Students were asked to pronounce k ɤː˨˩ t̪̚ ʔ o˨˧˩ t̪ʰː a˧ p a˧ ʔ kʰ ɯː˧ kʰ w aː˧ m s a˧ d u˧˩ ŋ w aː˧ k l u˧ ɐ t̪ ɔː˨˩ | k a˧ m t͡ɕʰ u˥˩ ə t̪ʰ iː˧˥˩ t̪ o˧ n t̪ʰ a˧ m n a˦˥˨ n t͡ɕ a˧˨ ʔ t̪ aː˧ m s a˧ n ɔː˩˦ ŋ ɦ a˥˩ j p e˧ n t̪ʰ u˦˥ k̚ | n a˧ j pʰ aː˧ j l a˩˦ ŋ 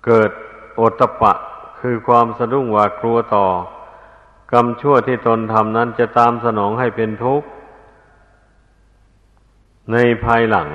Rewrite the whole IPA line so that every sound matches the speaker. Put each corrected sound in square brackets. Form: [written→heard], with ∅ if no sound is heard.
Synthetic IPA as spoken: k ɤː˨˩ t̪̚ ʔ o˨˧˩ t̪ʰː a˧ p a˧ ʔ kʰ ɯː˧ kʰ w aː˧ m s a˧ d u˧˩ ŋ w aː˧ k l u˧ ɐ t̪ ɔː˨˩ | k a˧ m t͡ɕʰ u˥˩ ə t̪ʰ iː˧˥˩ t̪ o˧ n t̪ʰ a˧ m n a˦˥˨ n t͡ɕ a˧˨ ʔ t̪ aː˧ m s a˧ n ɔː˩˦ ŋ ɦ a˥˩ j p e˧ n t̪ʰ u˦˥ k̚ | n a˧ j pʰ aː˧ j l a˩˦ ŋ